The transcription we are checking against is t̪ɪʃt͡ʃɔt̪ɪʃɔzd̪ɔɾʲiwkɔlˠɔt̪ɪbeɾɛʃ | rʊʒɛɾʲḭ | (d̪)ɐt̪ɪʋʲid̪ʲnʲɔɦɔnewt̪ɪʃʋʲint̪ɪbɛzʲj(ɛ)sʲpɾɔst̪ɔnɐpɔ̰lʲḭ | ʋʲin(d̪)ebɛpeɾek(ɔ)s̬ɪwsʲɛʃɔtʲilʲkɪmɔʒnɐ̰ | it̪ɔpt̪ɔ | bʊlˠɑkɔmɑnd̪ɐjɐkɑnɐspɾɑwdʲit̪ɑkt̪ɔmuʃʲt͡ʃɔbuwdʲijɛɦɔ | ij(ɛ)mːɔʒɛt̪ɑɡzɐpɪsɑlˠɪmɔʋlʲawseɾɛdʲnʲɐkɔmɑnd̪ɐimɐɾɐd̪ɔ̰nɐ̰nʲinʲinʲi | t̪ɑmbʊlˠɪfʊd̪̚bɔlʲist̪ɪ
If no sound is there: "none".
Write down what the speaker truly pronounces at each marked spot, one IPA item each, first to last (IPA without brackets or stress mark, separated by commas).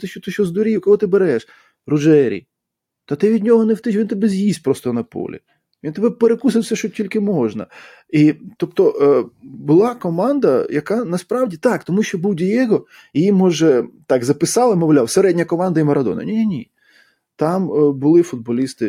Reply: t̪, i, t̪, u, i